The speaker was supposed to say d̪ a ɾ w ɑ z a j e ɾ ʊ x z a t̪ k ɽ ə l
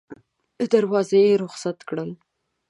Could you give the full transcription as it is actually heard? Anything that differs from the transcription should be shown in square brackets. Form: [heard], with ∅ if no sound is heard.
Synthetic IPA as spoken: d̪ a ɾ w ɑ z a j e ɾ ʊ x [s] a t̪ k ɽ ə l

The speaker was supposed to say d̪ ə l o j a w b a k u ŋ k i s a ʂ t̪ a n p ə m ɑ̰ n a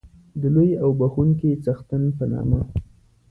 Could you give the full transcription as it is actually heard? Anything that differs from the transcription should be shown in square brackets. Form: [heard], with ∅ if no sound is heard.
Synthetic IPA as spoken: d̪ ə l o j a w b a [x] u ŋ k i [t͡s] a [x] t̪ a n p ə [n] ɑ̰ [m] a

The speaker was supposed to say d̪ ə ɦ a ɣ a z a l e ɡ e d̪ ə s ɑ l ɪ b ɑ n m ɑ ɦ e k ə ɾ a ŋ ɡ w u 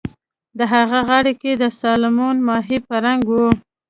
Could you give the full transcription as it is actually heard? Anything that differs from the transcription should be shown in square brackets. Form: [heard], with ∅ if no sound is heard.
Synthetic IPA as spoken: d̪ ə ɦ a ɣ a [ɣ] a [ɽ] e [k] e d̪ ə s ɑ l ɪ [m] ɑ n m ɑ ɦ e [p] ə ɾ a ŋ ɡ w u

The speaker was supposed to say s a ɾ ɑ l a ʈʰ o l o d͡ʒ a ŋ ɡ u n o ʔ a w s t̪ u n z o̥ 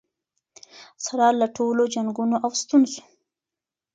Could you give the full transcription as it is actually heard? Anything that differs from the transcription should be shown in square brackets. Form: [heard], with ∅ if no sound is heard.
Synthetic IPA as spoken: s a ɾ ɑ l a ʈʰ o l o d͡ʒ a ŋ ɡ u n o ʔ a w s t̪ u n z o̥

